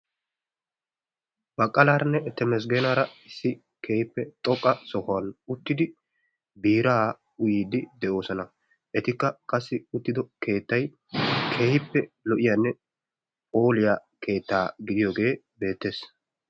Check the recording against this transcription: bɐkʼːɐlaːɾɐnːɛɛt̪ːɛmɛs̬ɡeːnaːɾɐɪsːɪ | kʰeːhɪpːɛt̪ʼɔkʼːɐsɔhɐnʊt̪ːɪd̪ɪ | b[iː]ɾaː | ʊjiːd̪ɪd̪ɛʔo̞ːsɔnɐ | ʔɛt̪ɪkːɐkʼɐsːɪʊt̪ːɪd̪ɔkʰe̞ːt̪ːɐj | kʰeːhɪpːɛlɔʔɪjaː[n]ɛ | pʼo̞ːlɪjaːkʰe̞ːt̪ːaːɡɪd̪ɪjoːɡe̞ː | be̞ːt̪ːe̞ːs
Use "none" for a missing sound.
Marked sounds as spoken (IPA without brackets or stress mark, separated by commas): iː, nː